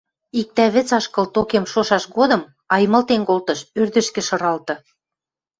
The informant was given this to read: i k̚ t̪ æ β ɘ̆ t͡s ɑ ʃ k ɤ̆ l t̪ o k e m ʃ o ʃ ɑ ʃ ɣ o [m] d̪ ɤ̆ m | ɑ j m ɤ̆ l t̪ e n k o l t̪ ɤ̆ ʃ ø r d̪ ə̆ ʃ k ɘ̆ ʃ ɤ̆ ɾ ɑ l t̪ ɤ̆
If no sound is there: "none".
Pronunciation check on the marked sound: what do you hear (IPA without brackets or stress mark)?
none